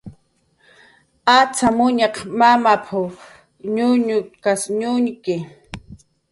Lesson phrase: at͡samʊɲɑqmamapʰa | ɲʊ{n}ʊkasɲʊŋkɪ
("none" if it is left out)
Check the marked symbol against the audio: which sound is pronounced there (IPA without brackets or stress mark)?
ɲ